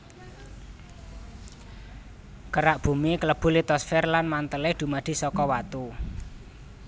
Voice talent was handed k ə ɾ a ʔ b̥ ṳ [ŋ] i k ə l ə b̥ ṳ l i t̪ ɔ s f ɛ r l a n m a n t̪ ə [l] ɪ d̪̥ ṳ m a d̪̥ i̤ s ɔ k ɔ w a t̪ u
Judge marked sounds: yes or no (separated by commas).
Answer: no, yes